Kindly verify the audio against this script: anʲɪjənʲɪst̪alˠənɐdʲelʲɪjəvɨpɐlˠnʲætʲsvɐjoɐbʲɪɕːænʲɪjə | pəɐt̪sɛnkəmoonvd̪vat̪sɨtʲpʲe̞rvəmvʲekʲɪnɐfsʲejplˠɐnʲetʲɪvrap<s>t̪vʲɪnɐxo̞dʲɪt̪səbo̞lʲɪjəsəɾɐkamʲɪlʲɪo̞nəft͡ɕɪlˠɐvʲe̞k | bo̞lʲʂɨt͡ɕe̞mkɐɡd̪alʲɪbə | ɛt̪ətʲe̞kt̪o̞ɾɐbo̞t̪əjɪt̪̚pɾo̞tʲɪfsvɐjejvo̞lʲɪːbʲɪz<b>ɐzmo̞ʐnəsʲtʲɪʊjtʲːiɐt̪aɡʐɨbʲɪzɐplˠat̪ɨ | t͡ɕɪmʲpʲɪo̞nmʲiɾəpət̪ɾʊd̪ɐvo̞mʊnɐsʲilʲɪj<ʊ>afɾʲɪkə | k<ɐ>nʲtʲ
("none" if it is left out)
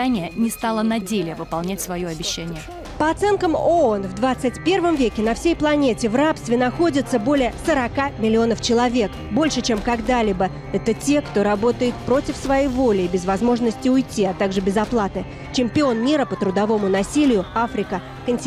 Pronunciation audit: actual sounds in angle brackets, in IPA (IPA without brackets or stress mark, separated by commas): s, v, ʊ, ə